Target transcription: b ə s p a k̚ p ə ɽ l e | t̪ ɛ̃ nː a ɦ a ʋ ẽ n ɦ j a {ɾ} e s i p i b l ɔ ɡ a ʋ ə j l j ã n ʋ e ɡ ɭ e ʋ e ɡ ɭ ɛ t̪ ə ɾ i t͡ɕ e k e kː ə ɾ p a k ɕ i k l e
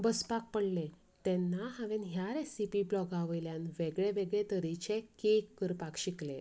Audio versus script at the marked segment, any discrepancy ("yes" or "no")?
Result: no